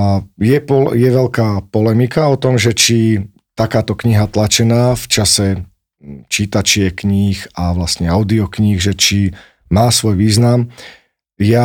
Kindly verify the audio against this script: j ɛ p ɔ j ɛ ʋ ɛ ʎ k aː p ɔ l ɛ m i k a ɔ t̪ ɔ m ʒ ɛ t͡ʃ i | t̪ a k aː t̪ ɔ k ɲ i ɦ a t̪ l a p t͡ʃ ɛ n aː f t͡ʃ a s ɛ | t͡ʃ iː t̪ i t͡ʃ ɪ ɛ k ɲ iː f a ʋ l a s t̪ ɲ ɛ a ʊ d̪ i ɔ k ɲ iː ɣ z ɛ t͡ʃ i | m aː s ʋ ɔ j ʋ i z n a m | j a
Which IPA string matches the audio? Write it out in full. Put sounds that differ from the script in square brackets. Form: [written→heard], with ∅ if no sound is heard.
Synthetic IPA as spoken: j ɛ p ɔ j ɛ ʋ ɛ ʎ k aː p ɔ l ɛ m i k a ɔ t̪ ɔ m ʒ ɛ t͡ʃ i | t̪ a k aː t̪ ɔ k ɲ i ɦ a t̪ l a [p→∅] t͡ʃ ɛ n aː f t͡ʃ a s ɛ | t͡ʃ iː t̪ [i→a] t͡ʃ ɪ ɛ k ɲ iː [f→x] a ʋ l a s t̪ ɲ ɛ a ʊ d̪ i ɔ k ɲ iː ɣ [z→ʒ] ɛ t͡ʃ i | m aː s ʋ ɔ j ʋ [i→iː] z n a m | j a